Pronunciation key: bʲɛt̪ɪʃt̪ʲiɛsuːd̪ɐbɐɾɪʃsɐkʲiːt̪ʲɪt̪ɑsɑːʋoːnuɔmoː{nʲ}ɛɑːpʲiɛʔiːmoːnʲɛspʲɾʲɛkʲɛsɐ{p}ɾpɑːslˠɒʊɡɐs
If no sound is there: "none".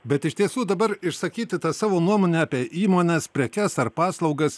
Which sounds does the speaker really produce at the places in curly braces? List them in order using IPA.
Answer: nʲ, none

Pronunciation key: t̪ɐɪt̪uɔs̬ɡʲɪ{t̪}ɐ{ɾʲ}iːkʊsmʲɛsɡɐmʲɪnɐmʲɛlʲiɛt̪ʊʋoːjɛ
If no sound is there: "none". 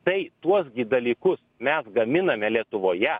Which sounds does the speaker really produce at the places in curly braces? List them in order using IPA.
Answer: d̪, lʲ

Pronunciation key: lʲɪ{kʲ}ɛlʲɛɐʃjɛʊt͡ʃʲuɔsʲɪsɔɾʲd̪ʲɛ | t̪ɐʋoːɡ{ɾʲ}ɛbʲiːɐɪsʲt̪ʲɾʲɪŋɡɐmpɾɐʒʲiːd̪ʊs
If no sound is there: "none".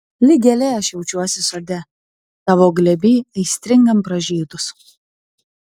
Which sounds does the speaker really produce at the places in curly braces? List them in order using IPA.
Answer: ɡʲ, lʲ

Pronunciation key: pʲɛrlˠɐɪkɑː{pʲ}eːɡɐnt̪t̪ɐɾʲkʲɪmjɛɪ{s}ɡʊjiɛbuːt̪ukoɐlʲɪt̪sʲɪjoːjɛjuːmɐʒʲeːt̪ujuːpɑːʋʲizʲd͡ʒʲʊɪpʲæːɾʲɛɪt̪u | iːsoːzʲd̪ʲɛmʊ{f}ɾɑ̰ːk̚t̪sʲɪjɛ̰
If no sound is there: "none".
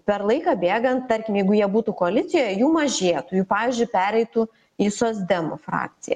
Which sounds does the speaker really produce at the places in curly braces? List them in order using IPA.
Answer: bʲ, none, f

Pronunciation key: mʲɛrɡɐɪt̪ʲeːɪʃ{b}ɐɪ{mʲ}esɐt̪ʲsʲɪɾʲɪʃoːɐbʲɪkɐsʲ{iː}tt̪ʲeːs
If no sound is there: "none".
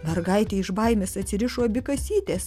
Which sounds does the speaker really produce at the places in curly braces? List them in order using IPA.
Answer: b, mʲ, iː

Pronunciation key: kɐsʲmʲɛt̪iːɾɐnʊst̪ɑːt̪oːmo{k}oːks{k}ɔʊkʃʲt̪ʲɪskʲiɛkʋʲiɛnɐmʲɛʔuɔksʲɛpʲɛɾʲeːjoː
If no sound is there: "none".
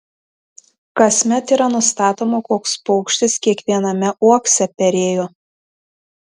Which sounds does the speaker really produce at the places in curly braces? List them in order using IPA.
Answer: k, p

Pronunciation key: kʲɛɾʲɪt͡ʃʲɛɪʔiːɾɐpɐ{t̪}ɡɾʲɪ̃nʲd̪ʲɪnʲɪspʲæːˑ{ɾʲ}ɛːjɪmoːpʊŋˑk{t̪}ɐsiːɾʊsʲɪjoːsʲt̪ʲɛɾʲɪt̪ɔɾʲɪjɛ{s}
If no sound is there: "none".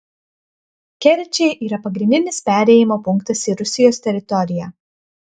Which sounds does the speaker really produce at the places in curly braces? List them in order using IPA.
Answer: none, ɾʲ, t̪, none

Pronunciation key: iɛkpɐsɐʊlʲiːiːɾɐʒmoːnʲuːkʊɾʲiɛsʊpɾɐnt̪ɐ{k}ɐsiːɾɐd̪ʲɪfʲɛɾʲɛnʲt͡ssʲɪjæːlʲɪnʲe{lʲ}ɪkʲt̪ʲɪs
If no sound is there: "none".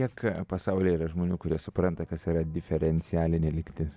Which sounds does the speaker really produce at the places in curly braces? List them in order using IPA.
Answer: k, lʲ

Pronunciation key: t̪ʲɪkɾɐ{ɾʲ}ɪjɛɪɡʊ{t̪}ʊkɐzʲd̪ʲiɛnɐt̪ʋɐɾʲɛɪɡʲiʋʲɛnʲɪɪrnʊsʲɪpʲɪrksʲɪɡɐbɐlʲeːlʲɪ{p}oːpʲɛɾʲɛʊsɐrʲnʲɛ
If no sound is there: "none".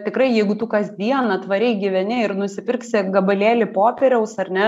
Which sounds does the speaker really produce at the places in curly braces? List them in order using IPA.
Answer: none, t̪, p

